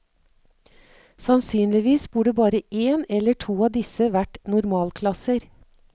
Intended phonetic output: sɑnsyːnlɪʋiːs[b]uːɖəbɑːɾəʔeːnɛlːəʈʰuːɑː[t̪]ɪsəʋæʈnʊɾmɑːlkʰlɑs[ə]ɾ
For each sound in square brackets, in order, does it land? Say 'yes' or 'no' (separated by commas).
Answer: yes, no, yes